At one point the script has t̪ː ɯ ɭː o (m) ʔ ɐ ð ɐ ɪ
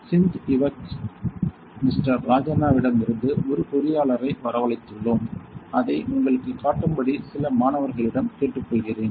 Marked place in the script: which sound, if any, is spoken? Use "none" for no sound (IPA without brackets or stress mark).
m